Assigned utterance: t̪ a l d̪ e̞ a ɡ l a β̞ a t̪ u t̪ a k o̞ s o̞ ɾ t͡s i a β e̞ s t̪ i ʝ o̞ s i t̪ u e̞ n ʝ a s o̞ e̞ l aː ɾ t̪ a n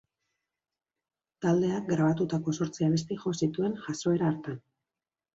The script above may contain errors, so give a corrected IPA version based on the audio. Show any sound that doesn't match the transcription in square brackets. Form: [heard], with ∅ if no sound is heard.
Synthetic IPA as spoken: t̪ a l d̪ e̞ a ɡ [ɾ] a β̞ a t̪ u t̪ a k o̞ s o̞ ɾ t͡s i a β e̞ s t̪ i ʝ o̞ s i t̪ u e̞ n ʝ a s o̞ e̞ [ɾ] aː ɾ t̪ a n